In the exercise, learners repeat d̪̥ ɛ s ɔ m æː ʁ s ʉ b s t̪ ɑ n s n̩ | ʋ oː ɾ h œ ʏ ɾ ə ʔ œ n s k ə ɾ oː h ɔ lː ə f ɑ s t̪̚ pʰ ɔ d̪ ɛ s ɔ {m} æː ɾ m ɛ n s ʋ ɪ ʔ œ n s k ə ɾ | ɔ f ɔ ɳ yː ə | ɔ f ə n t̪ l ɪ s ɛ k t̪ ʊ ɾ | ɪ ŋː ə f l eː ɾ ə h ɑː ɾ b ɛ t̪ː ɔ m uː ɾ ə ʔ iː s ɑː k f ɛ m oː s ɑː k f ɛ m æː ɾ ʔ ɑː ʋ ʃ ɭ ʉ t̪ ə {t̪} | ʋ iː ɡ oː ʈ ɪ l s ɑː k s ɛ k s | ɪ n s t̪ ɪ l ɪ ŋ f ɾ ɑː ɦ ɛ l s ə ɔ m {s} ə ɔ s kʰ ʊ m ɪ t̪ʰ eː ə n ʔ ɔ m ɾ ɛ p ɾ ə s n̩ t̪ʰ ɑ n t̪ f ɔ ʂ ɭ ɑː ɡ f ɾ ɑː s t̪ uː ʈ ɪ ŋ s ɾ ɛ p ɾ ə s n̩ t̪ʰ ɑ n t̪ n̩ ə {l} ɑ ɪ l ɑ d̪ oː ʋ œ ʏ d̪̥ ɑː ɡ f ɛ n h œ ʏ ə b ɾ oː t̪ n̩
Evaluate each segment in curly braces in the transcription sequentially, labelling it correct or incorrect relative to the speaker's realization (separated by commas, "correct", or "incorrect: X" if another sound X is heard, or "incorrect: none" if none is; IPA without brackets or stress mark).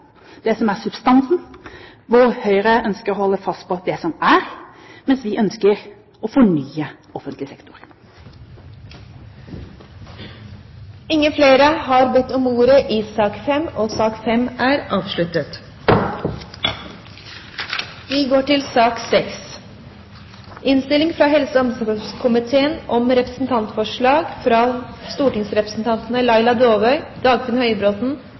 correct, correct, correct, correct